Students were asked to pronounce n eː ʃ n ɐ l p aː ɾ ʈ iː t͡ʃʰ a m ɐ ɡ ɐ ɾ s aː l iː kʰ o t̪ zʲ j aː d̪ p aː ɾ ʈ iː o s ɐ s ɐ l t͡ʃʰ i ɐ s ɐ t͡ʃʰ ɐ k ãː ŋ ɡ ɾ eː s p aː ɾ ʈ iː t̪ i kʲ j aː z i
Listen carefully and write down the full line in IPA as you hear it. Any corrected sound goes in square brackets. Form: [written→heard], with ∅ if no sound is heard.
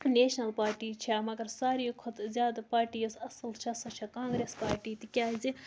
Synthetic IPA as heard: n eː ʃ n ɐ l p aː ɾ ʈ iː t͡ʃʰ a m ɐ ɡ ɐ ɾ s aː [l→ɾ] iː kʰ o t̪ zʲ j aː d̪ p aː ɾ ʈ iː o s ɐ s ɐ l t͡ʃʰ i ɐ s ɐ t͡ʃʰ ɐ k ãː ŋ ɡ ɾ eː s p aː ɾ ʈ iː t̪ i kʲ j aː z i